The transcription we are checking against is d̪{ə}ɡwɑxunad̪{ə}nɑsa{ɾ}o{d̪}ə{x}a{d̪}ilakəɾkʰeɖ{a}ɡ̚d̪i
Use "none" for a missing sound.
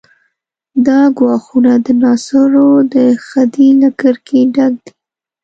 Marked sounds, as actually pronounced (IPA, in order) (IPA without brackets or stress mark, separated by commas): ɑ, ə, ɾ, d̪, x, d̪, a